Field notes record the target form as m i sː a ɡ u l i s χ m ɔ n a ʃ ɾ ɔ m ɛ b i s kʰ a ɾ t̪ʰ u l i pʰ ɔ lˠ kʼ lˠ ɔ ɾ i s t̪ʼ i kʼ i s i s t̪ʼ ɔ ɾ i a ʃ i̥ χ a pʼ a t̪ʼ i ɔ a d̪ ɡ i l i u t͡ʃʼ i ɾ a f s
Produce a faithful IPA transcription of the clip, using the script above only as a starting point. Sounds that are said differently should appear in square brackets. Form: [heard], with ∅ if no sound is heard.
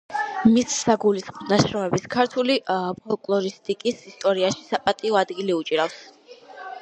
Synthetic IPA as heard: m i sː a ɡ u l i s χ m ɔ n a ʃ ɾ ɔ m ɛ b i s kʰ a ɾ t̪ʰ u l i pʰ ɔ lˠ kʼ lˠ ɔ ɾ i s t̪ʼ i kʼ i s i s t̪ʼ ɔ ɾ i a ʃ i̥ [s] a pʼ a t̪ʼ i ɔ a d̪ ɡ i l i u t͡ʃʼ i ɾ a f s